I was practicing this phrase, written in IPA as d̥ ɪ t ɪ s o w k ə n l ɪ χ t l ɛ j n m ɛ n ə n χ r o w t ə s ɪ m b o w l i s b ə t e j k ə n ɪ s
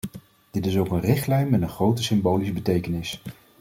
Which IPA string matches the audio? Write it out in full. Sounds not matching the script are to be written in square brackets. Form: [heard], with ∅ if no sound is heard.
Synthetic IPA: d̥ ɪ t ɪ s o w k ə n [r] ɪ χ t l ɛ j n m ɛ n ə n χ r o w t ə s ɪ m b o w l i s b ə t e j k ə n ɪ s

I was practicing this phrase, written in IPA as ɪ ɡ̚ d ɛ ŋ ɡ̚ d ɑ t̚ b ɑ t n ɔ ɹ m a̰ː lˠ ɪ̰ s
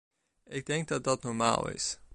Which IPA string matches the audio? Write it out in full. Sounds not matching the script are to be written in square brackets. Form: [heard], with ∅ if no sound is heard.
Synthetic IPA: ɪ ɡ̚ d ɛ ŋ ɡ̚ d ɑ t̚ [d] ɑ t n ɔ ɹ m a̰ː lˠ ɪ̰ s

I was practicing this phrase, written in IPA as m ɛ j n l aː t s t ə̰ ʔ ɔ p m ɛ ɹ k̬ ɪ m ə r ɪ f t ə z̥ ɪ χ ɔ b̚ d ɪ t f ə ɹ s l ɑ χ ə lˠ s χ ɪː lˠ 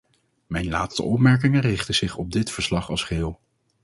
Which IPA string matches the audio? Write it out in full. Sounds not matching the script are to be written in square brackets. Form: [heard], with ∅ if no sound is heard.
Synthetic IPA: m ɛ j n l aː t s t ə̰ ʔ ɔ p m ɛ ɹ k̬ ɪ [ŋ] ə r ɪ [χ] t ə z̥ ɪ χ ɔ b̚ d ɪ t f ə ɹ s l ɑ χ [ɑ] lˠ s χ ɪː lˠ

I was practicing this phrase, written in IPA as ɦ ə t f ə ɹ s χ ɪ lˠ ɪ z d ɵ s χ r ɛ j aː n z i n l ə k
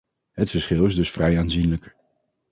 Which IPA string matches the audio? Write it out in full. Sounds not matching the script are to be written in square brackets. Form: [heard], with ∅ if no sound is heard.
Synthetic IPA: ɦ ə t f ə ɹ s χ ɪ lˠ ɪ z d ɵ s [f] r ɛ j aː n z i n l ə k

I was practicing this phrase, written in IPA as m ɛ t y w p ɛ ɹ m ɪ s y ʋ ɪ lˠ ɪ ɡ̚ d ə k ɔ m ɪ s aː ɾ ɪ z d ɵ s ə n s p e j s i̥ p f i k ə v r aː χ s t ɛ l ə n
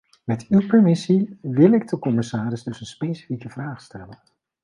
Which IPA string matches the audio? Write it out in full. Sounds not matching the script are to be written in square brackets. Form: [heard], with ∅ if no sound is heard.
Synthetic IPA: m ɛ t y w p ɛ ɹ m ɪ s [i] ʋ ɪ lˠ ɪ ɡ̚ d ə k ɔ m ɪ s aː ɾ ɪ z d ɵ s ə n s p e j s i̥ [∅] f i k ə v r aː χ s t ɛ l ə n

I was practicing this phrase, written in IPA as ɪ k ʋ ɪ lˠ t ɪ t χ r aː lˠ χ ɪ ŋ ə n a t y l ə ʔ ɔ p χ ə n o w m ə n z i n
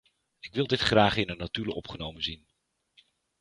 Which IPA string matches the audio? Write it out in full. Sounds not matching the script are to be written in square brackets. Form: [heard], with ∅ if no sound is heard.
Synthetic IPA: ɪ k ʋ ɪ lˠ [d] ɪ t χ r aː [∅] χ ɪ [n] ə n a t y l ə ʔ ɔ p χ ə n o w m ə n z i n

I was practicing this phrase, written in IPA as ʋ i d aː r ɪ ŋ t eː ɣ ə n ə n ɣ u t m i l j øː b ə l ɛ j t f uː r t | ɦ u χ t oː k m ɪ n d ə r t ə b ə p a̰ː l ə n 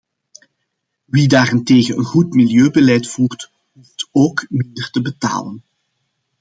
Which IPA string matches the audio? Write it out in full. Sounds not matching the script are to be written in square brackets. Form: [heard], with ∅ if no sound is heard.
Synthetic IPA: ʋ i d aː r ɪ [n] t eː ɣ ə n ə n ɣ u t m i l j øː b ə l ɛ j t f uː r t | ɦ u [f] t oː k m ɪ n d ə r t ə b ə [t] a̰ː l ə n

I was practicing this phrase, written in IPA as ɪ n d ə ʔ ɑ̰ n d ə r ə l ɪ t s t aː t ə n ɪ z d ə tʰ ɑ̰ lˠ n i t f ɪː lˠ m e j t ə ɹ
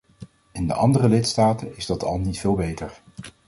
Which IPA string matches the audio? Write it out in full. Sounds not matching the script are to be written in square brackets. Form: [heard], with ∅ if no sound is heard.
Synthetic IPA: ɪ n d ə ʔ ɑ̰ n d ə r ə l ɪ t s t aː t ə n ɪ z d [ɑ] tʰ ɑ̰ lˠ n i t f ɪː lˠ [b] e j t ə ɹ

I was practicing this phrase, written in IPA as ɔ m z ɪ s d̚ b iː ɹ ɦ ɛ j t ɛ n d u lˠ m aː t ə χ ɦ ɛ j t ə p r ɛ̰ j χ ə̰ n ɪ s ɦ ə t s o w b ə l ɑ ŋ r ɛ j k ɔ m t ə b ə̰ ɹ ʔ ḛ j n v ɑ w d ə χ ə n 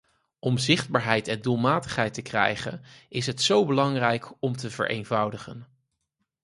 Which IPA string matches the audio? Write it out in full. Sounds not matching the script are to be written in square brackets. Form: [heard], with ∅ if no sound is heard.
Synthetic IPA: ɔ m z ɪ [χ] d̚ b [aː] ɹ ɦ ɛ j t ɛ n d u lˠ m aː t ə χ ɦ ɛ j t ə [k] r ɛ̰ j χ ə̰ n ɪ s ɦ ə t s o w b ə l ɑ ŋ r ɛ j k ɔ m t ə [v] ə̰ ɹ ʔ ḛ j n v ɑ w d ə χ ə n

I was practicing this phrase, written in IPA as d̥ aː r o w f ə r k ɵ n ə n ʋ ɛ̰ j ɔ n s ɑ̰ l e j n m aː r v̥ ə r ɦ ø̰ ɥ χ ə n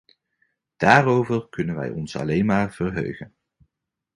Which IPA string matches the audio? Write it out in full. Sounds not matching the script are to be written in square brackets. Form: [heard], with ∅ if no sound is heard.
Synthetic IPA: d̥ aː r o w [v] ə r k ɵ n ə n ʋ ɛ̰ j ɔ n s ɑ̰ l e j n m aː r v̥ ə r ɦ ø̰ ɥ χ ə n

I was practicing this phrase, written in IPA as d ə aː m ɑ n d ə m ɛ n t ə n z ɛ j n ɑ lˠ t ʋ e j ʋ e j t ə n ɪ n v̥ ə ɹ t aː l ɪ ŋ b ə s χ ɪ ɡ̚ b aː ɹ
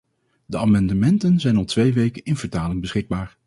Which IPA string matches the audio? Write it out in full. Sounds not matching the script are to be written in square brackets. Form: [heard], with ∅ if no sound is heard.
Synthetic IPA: d ə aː m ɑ n d ə m ɛ n t ə n z ɛ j n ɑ lˠ t ʋ e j ʋ e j [k] ə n ɪ n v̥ ə ɹ t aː l ɪ ŋ b ə s χ ɪ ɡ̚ b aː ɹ

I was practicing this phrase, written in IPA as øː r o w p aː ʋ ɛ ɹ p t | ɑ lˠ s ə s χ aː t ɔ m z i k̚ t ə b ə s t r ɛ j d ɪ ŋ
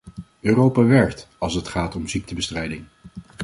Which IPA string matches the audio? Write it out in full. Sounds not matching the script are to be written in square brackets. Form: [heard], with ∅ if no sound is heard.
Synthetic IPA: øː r o w p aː ʋ ɛ ɹ [k] t | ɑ lˠ s ə [t] χ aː t ɔ m z i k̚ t ə b ə s t r ɛ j d ɪ ŋ

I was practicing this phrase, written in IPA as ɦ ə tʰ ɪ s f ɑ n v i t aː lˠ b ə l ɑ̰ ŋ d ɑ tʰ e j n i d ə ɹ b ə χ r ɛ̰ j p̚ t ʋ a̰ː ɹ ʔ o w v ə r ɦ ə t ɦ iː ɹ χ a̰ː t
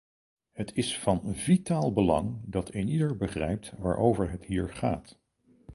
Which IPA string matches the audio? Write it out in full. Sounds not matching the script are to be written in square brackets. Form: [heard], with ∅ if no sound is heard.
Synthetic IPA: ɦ ə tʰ ɪ s f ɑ n v i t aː lˠ b ə l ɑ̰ ŋ d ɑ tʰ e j n i d ə ɹ b ə χ r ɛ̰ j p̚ t ʋ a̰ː ɹ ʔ o w v ə [ɹ] ɦ ə t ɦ iː ɹ χ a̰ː t

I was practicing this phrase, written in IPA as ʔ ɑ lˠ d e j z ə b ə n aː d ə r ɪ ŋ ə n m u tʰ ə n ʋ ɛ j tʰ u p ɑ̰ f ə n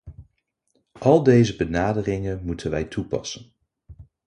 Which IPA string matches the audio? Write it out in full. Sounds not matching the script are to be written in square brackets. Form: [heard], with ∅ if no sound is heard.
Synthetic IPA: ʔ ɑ lˠ d e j z ə b ə n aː d ə r ɪ ŋ ə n m u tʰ ə n ʋ ɛ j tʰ u p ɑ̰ [s] ə n

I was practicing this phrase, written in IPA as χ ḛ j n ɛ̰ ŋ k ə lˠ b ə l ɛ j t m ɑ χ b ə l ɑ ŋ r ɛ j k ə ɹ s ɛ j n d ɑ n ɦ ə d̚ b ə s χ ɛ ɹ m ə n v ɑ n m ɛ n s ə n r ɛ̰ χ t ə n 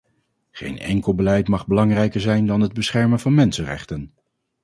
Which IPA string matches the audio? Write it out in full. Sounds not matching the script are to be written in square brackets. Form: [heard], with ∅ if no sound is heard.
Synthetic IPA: χ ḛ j n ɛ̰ ŋ k ə lˠ b ə l ɛ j t m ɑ χ b ə l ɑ ŋ r ɛ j k ə ɹ [z] ɛ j n d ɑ n ɦ ə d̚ b ə s χ ɛ ɹ m ə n v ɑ n m ɛ n s ə n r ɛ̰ χ t ə n

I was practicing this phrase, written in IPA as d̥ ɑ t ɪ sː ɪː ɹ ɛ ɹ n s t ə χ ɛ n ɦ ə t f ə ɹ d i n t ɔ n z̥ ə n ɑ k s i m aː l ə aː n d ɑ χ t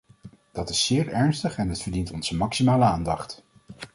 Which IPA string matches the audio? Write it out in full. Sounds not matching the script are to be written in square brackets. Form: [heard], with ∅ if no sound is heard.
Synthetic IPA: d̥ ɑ t ɪ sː ɪː ɹ ɛ ɹ n s t ə χ ɛ n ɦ ə t f ə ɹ d i n t ɔ n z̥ ə [m] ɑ k s i m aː l ə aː n d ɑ χ t

